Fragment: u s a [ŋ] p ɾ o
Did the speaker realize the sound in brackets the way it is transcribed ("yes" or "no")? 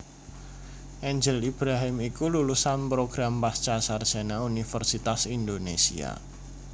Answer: no